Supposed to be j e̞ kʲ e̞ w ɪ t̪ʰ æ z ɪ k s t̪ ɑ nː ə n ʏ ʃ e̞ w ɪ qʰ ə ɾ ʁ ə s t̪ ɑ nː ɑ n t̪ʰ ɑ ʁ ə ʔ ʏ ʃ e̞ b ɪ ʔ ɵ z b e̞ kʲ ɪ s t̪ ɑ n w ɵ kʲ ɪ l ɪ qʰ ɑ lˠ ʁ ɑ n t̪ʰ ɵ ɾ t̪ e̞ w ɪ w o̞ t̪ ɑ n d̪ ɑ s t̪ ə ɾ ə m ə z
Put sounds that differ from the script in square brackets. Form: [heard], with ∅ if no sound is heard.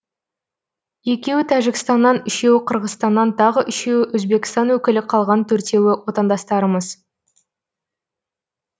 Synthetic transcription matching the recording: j e̞ kʲ e̞ w ɪ t̪ʰ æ [ʒ] ɪ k s t̪ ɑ nː [ɑ] n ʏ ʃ e̞ w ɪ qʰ ə ɾ ʁ ə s t̪ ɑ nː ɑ n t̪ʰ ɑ ʁ ə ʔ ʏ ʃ e̞ [w] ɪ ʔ ɵ z b e̞ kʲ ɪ s t̪ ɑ n w ɵ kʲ ɪ l ɪ qʰ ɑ lˠ ʁ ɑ n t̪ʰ ɵ ɾ t̪ e̞ w ɪ w o̞ t̪ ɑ n d̪ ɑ s t̪ [ɑ] ɾ ə m ə z